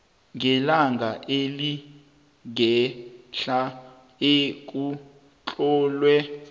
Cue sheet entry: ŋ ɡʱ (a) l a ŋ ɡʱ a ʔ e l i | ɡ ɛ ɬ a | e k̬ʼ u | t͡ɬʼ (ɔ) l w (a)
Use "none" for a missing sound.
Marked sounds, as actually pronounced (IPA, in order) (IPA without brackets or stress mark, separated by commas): ɛ, ɔː, ɛ